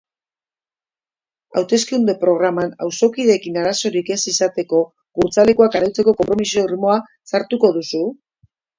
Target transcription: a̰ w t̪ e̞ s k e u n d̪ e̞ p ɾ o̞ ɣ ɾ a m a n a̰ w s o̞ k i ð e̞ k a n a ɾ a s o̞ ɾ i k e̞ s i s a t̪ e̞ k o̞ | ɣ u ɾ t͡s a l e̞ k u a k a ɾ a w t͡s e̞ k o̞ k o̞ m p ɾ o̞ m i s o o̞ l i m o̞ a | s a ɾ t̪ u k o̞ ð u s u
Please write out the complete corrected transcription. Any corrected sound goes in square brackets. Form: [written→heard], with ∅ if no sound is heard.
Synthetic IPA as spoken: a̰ w t̪ e̞ s k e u n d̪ e̞ p ɾ o̞ ɣ ɾ a m a n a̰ w s o̞ k i ð e̞ k [a→i] n a ɾ a s o̞ ɾ i k e̞ s i s a t̪ e̞ k o̞ | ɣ u ɾ t͡s a l e̞ k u a k a ɾ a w t͡s e̞ k o̞ k o̞ m p ɾ o̞ m i s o o̞ [l→r] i m o̞ a | s a ɾ t̪ u k o̞ ð u s u